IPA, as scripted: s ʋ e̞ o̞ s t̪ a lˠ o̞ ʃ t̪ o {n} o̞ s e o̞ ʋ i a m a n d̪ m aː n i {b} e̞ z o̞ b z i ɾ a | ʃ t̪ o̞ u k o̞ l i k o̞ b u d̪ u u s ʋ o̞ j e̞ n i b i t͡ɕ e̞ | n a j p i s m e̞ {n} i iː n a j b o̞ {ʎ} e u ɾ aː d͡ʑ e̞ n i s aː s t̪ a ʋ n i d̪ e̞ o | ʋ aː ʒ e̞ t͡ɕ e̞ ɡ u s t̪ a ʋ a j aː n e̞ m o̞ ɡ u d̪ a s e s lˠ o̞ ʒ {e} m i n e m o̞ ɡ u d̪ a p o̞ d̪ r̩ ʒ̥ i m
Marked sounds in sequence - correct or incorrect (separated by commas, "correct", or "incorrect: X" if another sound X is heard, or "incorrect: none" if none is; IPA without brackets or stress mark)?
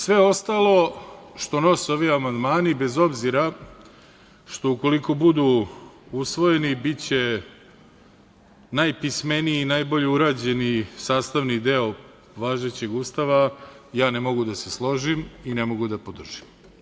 correct, correct, correct, correct, incorrect: i